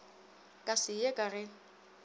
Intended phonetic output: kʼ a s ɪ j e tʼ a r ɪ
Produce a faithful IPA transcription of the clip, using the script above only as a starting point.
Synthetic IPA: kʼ a s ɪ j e kʼ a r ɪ